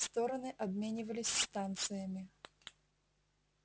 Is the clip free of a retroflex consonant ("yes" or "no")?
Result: yes